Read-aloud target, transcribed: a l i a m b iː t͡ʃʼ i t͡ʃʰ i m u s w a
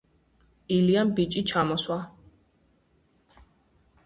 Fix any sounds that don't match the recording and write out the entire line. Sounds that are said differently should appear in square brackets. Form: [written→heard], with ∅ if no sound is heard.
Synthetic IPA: [a→i] l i a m b [iː→i] t͡ʃʼ i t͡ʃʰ [i→a] m [u→ɔ] s w a